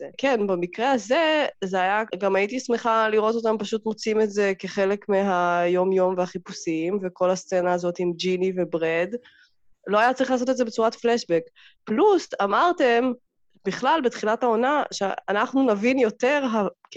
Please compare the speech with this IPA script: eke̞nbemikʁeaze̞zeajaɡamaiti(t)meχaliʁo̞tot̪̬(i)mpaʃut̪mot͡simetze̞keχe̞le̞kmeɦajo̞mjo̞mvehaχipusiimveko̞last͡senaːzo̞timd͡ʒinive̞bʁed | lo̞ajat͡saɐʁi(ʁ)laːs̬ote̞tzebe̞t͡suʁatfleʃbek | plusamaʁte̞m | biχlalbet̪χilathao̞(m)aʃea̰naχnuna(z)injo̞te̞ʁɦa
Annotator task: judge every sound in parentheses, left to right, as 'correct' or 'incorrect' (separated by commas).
incorrect, incorrect, incorrect, incorrect, incorrect